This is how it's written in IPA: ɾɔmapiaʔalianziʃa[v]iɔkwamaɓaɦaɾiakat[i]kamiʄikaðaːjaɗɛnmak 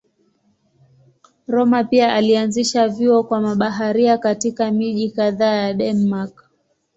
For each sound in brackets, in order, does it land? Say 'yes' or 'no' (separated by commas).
yes, yes